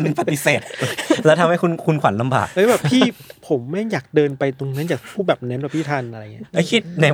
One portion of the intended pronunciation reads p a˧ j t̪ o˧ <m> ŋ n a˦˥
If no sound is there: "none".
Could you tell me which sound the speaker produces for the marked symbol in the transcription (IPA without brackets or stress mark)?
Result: none